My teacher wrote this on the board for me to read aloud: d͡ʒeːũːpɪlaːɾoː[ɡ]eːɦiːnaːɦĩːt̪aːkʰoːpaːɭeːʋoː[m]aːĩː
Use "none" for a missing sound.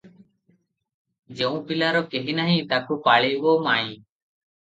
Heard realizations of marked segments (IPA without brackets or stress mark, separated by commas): k, m